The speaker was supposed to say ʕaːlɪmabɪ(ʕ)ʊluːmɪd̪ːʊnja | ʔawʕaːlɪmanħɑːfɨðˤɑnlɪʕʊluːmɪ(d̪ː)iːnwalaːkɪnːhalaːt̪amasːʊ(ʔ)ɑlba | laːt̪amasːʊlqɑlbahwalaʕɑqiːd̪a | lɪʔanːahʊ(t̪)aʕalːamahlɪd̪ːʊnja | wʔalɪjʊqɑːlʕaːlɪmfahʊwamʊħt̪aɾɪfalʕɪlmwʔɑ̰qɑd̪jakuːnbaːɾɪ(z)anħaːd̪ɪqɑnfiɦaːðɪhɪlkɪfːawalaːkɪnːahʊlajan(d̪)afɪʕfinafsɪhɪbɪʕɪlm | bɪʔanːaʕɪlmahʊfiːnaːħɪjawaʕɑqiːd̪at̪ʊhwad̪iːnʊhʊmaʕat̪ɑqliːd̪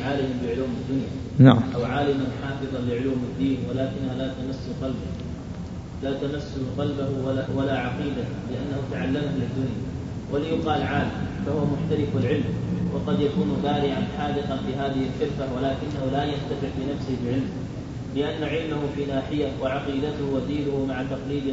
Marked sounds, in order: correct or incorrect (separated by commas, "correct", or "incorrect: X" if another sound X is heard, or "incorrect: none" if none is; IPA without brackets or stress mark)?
correct, correct, incorrect: q, correct, incorrect: ʕ, incorrect: t̪